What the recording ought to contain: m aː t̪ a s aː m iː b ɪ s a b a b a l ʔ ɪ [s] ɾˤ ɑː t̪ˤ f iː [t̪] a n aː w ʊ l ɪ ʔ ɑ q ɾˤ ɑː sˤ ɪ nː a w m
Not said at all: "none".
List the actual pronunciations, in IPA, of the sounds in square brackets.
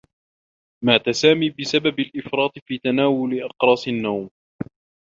f, t̪

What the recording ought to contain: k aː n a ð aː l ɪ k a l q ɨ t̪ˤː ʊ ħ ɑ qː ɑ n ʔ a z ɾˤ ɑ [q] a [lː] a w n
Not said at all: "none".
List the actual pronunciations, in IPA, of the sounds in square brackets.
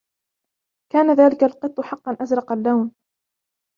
q, lː

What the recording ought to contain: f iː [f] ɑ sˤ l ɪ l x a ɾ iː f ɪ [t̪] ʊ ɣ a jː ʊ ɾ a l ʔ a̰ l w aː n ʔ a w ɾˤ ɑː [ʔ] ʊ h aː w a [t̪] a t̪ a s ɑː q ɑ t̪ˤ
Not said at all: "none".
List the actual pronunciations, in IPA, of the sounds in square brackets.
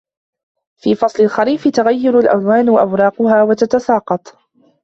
f, t̪, q, t̪

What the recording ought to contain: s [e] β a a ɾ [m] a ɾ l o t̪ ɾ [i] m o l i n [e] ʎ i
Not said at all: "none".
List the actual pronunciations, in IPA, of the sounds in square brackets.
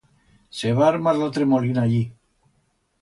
e, m, e, a

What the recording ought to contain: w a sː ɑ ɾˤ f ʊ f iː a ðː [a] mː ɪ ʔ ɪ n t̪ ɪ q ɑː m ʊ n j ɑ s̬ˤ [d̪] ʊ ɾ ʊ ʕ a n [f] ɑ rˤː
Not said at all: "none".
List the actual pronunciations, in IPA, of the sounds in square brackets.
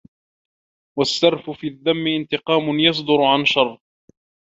a, d̪, ʃ

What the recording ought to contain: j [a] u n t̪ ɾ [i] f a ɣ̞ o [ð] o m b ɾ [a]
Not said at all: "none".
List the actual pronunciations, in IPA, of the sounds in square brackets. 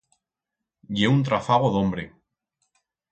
e, a, ð, e

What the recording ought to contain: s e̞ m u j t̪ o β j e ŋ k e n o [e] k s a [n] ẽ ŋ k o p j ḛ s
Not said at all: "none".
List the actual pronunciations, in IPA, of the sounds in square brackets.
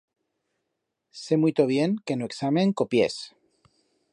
e, m

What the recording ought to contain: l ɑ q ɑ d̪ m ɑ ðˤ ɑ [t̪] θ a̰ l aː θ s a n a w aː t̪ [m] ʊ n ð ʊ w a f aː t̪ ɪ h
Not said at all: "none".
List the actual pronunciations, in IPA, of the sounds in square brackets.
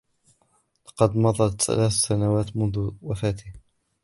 t̪, m

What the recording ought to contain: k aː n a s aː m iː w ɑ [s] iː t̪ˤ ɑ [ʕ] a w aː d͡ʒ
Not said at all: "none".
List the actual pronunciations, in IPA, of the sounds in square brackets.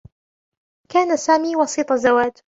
s, z

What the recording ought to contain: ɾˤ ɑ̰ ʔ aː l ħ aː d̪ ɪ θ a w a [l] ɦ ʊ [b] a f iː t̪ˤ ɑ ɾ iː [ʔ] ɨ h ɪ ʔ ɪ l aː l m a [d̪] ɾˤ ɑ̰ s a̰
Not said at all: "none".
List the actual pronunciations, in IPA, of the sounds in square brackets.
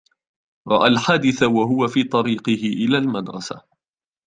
none, w, q, d̪

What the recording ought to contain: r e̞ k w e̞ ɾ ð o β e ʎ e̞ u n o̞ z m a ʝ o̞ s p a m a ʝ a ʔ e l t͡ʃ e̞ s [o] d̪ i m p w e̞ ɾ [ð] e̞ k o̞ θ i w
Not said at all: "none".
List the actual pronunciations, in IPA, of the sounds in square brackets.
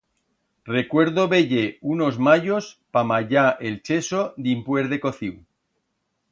o, ð

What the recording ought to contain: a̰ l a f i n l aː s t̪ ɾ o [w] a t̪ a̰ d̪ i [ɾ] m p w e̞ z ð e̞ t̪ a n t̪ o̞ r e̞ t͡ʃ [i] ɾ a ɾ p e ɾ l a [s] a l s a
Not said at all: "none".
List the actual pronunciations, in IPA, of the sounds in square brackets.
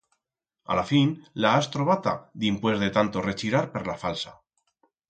β, none, i, f

